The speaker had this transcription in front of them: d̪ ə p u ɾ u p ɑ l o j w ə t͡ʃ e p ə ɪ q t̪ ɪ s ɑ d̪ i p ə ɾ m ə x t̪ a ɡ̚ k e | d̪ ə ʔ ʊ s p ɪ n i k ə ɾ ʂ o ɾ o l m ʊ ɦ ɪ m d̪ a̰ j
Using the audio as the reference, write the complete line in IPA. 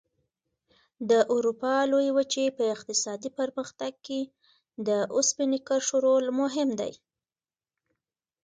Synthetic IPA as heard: d̪ ə ʔ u ɾ u p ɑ l o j w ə t͡ʃ e p ə ɪ q t̪ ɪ s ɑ d̪ i p ə ɾ m ə x t̪ a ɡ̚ k e | d̪ ə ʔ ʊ s p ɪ n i k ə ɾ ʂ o ɾ o l m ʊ ɦ ɪ m d̪ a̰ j